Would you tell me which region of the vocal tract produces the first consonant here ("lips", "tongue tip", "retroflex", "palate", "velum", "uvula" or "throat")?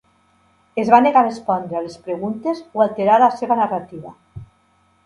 tongue tip